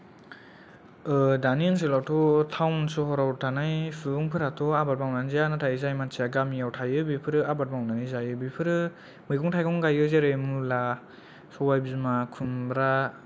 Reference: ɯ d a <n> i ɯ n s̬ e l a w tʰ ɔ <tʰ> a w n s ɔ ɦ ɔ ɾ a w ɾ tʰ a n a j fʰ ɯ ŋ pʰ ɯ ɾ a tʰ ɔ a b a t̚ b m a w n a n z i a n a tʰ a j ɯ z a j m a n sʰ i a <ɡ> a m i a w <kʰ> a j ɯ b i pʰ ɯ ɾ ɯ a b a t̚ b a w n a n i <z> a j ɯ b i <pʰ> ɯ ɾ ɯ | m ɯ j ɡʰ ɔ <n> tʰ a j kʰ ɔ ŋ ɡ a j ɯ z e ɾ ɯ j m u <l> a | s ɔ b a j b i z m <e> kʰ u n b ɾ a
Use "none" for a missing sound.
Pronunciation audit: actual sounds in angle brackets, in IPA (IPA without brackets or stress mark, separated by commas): n, tʰ, ɡ, tʰ, z, pʰ, ŋ, l, a